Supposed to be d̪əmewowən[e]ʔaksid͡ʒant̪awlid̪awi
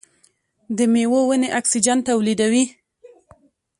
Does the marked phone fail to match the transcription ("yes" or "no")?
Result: no